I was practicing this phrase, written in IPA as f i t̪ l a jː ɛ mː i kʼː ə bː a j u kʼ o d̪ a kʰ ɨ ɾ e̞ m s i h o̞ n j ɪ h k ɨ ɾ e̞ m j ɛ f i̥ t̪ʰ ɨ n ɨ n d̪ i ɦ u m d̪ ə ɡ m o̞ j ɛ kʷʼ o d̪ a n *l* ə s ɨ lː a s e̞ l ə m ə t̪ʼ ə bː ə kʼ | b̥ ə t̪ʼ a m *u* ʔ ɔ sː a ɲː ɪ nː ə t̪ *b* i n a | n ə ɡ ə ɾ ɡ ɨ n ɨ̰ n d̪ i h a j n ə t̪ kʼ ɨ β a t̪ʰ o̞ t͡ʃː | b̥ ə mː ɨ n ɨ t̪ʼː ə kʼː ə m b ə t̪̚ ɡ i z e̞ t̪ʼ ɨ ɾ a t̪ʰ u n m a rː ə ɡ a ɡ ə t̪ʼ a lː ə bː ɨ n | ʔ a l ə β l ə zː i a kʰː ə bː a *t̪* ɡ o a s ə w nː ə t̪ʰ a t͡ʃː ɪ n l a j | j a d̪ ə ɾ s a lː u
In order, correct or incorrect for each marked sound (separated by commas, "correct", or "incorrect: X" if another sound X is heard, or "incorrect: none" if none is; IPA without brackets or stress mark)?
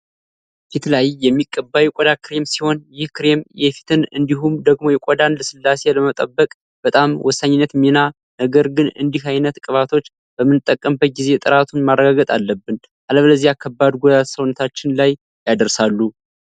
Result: correct, incorrect: w, incorrect: m, incorrect: d̪